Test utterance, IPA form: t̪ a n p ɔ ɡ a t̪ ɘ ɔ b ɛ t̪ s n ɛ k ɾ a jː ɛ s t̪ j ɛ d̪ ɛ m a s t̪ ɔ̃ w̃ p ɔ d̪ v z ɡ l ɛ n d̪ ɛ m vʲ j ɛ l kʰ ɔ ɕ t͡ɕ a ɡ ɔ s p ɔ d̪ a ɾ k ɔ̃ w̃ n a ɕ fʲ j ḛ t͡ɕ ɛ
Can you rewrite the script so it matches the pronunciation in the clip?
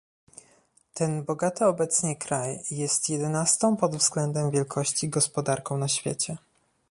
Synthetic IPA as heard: t̪ ɛ n b ɔ ɡ a t̪ ɘ ɔ b ɛ t̪ s ɲ ɛ k ɾ a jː ɛ s t̪ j ɛ d̪ ɛ n a s t̪ ɔ̃ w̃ p ɔ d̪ v z ɡ l ɛ n d̪ ɛ m vʲ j ɛ l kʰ ɔ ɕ t͡ɕ i ɡ ɔ s p ɔ d̪ a ɾ k ɔ̃ w̃ n a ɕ fʲ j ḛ t͡ɕ ɛ